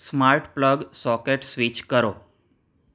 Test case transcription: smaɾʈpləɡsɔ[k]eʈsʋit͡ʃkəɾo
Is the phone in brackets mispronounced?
no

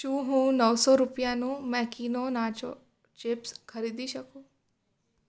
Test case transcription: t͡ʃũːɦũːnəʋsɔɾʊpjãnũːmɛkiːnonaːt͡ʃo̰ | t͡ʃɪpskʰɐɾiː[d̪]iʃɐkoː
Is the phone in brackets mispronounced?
no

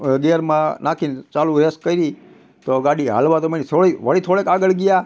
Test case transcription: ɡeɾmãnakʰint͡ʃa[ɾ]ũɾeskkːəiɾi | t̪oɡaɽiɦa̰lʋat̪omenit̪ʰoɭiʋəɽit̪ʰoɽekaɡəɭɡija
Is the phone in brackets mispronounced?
yes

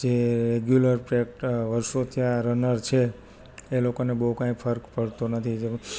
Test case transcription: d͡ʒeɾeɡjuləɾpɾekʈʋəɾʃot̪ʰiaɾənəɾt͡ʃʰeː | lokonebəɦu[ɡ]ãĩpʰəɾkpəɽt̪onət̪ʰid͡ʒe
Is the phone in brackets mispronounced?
yes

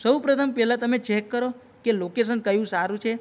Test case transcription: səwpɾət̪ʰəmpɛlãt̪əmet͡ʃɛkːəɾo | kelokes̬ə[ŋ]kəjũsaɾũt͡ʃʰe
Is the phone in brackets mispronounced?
yes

